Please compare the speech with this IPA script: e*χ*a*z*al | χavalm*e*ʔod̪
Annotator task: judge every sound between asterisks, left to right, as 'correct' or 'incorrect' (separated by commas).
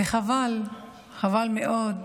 correct, incorrect, correct